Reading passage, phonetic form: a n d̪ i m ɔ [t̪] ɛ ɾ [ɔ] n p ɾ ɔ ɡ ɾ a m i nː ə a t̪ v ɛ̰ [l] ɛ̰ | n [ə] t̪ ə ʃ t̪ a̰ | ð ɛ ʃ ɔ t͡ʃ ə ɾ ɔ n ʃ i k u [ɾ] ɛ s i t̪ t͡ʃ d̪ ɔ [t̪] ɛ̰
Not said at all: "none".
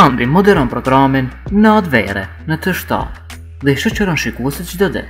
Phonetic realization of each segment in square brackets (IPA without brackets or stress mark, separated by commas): d̪, ɔ, ɾ, ə, none, d̪